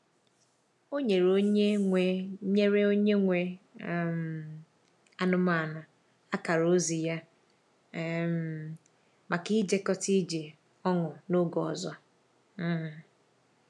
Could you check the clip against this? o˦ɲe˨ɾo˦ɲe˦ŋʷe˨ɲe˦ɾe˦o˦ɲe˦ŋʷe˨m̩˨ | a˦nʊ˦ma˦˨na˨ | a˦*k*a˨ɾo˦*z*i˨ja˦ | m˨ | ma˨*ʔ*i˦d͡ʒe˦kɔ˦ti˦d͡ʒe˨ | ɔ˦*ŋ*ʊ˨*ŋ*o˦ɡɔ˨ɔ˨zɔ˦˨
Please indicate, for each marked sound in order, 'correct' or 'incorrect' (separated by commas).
correct, correct, incorrect, correct, incorrect